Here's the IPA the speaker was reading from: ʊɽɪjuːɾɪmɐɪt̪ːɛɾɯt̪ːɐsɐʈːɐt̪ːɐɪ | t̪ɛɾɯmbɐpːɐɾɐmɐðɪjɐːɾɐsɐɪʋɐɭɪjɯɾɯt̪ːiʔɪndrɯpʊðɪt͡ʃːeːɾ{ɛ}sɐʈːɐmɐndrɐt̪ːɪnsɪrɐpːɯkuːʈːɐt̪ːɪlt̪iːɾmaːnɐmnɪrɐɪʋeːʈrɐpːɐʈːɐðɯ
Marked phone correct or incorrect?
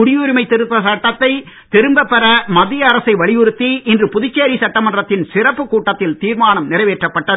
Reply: incorrect